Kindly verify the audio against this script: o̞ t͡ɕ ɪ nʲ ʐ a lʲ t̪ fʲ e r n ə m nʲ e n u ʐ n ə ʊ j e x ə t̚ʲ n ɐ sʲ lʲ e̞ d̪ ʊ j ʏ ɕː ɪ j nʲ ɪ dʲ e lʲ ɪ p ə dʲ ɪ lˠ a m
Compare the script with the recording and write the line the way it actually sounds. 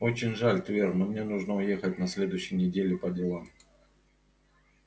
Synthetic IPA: o̞ t͡ɕ ɪ nʲ ʐ a lʲ t̪ vʲ e r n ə m nʲ e n u ʐ n ə ʊ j e x ə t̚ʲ n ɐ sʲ lʲ e̞ d̪ ʊ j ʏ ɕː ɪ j nʲ ɪ dʲ e lʲ ɪ p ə dʲ ɪ lˠ a m